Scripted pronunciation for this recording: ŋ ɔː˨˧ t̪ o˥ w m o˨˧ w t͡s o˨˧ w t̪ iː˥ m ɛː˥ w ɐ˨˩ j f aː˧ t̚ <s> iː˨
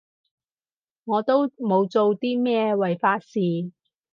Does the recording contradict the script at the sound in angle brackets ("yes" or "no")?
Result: no